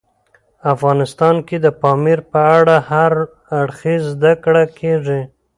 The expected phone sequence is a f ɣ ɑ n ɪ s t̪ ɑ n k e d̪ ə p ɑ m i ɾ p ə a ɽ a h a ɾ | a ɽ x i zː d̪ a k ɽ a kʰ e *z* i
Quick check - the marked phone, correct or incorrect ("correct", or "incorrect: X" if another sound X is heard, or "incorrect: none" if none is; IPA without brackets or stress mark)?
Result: incorrect: ʐ